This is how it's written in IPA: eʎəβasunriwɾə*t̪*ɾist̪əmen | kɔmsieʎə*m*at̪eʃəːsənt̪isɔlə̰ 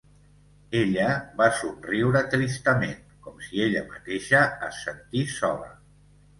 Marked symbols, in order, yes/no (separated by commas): yes, yes